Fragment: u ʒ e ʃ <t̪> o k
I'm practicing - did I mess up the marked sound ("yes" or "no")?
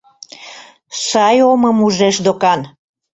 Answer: yes